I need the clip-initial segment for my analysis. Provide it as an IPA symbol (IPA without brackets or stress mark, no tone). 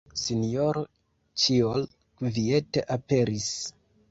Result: s